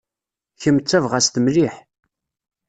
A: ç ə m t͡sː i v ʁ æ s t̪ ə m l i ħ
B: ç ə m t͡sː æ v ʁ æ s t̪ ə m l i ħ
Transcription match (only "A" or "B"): B